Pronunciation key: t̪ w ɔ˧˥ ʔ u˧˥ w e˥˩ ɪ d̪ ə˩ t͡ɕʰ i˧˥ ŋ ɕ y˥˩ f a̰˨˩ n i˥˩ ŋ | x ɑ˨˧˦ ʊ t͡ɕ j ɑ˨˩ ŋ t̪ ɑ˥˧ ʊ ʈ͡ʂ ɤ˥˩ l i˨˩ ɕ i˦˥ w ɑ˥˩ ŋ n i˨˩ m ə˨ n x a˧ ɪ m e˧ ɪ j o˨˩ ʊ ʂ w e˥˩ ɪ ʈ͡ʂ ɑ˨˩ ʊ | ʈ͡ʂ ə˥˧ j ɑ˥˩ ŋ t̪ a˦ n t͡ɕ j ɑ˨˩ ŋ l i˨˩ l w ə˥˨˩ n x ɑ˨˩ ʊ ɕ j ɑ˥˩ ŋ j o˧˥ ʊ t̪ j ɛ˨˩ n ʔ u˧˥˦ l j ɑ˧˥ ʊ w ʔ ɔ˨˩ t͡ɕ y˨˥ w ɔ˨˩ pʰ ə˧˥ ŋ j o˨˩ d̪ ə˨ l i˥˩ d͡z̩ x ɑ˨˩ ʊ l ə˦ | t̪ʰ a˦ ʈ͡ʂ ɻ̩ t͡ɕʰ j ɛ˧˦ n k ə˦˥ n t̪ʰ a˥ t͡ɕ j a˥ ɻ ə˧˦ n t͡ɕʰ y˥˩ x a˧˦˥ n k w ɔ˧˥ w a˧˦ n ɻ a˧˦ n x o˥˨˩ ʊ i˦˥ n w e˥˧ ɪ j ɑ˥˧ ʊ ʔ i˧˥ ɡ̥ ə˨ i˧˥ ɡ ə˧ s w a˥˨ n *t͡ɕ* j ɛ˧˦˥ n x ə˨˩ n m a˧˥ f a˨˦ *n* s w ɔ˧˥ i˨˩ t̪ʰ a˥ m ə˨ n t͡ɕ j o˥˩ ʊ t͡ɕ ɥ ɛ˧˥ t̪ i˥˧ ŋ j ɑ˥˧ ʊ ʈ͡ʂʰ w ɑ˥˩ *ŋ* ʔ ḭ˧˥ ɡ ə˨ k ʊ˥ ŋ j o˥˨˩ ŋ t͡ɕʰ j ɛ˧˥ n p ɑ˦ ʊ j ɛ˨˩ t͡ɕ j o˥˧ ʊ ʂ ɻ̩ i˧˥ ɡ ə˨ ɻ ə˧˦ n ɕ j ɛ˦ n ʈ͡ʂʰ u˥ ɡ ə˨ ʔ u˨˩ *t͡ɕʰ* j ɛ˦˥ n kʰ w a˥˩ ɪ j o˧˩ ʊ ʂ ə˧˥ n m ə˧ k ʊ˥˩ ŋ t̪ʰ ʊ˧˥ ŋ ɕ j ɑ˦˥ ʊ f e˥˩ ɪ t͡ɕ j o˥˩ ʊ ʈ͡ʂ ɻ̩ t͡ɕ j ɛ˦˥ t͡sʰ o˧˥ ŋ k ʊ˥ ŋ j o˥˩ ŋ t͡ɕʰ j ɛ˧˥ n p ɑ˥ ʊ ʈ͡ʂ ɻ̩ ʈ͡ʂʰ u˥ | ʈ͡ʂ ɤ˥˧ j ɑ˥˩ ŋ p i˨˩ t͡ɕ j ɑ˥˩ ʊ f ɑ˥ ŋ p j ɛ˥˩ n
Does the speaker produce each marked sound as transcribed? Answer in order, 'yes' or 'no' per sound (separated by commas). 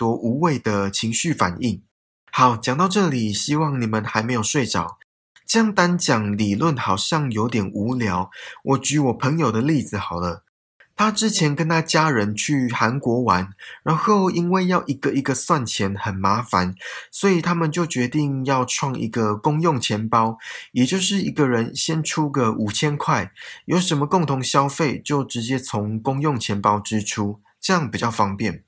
no, yes, yes, yes